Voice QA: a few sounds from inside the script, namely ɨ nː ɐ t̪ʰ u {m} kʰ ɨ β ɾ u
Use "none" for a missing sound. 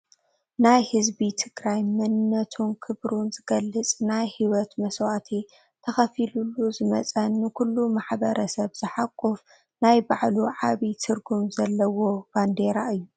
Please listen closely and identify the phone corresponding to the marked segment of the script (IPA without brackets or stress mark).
n